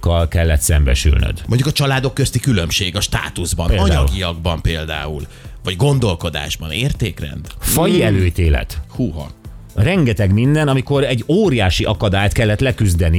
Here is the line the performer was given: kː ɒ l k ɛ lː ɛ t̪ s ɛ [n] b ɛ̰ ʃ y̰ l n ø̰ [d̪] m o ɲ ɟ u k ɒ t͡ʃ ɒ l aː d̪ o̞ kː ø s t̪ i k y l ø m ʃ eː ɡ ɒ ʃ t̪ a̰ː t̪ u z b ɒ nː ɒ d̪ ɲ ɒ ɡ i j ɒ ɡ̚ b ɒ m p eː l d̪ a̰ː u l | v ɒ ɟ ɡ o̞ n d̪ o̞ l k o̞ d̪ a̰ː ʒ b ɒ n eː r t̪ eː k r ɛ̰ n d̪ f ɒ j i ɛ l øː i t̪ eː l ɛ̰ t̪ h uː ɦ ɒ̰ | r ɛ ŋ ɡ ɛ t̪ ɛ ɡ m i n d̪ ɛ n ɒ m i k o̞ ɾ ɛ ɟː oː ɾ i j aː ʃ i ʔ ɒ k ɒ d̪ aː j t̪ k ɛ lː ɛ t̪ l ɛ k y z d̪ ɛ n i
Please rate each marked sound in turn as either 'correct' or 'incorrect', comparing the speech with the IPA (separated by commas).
incorrect, correct